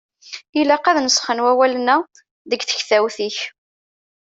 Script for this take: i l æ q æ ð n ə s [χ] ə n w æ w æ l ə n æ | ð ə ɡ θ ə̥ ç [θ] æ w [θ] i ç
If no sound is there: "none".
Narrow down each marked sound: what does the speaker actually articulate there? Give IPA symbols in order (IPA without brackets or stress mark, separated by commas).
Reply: χ, θ, θ